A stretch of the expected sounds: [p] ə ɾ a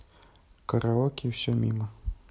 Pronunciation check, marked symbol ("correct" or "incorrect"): incorrect